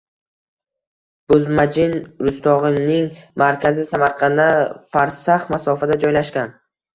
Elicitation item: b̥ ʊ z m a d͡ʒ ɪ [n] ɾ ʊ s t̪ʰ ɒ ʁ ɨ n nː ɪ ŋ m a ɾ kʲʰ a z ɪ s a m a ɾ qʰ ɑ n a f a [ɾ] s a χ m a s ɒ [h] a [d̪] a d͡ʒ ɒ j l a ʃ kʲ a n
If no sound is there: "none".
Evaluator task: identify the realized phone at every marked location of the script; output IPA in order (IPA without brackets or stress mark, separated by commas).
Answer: n, ɾ, f, d̪